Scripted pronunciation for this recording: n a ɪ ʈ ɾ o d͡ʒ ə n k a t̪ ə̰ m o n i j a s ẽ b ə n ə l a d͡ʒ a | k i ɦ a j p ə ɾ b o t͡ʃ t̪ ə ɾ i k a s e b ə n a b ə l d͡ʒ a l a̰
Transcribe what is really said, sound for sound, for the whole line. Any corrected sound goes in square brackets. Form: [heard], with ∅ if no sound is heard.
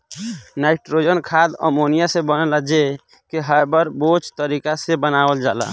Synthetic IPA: n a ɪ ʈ ɾ o d͡ʒ ə n [kʰ] a [d̪] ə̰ m o n i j a s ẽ b ə n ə l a d͡ʒ [e] | k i ɦ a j [b] ə ɾ b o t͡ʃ t̪ ə ɾ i k a s e b ə n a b ə l d͡ʒ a l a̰